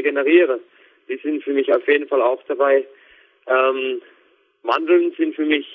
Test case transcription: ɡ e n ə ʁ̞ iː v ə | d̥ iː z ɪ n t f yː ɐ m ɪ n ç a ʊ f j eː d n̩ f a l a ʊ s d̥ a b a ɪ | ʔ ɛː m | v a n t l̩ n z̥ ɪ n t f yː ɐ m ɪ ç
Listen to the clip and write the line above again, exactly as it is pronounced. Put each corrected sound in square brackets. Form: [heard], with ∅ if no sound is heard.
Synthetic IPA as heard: ɡ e n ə ʁ̞ iː [ʁ] ə | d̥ iː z ɪ n t f yː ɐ m ɪ [∅] ç a ʊ f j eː d n̩ f a l a ʊ [x] d̥ a b a ɪ | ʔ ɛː m | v a n [d] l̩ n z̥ ɪ n t f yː ɐ m ɪ ç